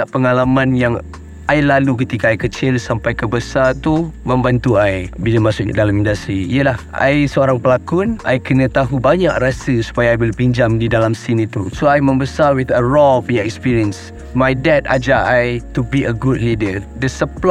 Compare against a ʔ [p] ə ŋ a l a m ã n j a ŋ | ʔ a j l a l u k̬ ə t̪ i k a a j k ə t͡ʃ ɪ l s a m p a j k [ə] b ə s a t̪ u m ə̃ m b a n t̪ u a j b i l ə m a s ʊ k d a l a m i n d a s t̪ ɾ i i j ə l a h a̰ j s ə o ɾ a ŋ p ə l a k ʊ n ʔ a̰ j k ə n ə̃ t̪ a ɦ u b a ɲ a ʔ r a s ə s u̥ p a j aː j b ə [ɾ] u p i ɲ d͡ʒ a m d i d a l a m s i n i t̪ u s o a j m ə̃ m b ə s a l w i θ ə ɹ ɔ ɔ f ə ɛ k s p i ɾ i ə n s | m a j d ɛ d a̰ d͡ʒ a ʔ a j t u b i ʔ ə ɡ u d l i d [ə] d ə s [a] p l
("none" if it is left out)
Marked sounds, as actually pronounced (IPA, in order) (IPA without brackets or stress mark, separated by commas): p, ə, l, ə, ə